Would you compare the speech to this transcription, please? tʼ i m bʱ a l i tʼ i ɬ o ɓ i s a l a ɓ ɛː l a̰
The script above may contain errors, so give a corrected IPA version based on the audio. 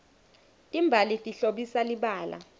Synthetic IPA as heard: tʼ i m bʱ a l i tʼ i ɬ o ɓ i s a l i ɓ aː l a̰